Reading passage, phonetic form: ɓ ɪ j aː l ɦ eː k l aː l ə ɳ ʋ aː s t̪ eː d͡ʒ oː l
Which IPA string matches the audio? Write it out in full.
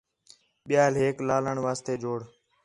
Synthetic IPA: ɓ ɪ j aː l ɦ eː k l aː l ə ɳ ʋ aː s t̪ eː d͡ʒ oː ɽ